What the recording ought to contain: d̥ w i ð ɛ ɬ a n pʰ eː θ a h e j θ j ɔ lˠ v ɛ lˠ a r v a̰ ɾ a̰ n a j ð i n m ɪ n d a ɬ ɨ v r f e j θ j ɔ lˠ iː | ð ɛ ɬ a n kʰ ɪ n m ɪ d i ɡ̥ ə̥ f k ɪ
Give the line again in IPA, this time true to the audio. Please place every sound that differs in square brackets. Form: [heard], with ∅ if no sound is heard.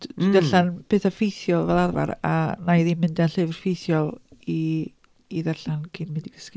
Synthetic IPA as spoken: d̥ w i ð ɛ ɬ a n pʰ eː θ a [f] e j θ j ɔ lˠ v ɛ lˠ a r v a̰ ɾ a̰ n a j ð i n m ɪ n d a ɬ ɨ v r f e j θ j ɔ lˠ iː | ð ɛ ɬ a n kʰ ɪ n m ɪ d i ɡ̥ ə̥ [s] k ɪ